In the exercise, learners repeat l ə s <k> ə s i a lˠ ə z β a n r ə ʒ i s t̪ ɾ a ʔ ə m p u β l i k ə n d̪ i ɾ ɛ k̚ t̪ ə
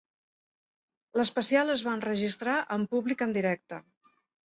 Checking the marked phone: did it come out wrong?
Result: yes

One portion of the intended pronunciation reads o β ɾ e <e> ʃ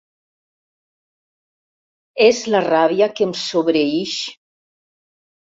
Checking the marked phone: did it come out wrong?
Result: yes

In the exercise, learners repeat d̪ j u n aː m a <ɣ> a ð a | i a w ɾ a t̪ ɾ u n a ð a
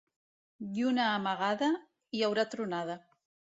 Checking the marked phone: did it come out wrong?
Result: no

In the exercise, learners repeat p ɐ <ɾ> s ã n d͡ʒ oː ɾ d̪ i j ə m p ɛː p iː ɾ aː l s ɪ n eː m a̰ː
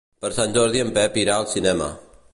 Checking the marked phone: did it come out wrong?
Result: no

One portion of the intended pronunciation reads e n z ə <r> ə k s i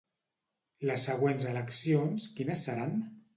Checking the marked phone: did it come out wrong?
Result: yes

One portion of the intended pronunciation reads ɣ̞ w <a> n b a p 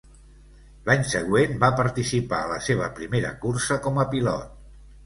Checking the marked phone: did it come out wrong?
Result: yes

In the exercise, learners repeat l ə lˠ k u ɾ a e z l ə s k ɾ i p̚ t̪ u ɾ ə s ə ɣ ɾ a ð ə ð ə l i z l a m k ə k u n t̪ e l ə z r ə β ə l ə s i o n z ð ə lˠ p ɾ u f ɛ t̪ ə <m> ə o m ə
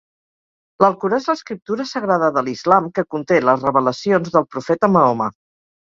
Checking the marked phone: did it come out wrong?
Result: no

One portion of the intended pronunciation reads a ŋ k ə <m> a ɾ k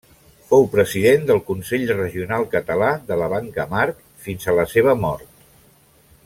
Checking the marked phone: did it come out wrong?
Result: no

